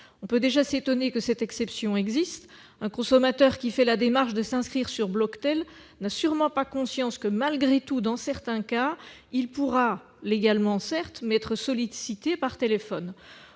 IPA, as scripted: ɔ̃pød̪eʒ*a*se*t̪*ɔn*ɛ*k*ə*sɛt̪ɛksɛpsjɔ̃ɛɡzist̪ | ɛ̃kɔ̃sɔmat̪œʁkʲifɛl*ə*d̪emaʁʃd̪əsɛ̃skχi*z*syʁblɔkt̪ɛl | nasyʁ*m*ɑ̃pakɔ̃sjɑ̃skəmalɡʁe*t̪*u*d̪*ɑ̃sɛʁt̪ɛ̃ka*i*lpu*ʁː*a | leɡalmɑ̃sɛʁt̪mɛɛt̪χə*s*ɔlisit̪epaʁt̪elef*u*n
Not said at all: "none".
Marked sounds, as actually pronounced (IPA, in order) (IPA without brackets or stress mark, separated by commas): a, t̪, e, ə, a, ʁ, m, t̪, d̪, i, ʁ, s, ɔ